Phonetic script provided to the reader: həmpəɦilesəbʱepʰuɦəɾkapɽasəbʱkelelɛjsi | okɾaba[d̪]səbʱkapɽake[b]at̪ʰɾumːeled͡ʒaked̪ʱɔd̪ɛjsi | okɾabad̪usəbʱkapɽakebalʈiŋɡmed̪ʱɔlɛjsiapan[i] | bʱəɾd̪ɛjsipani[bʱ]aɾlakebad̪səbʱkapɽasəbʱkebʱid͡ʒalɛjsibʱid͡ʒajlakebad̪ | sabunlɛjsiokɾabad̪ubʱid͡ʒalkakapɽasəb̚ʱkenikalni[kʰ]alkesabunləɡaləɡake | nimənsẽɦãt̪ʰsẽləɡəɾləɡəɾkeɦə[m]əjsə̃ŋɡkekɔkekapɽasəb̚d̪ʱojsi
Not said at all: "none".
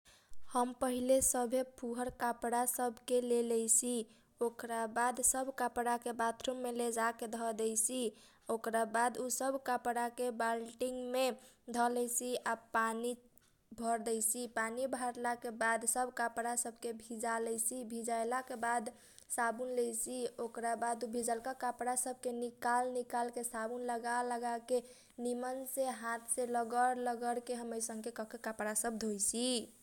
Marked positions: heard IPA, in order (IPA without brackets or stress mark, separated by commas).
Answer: d̪, b, i, bʱ, k, m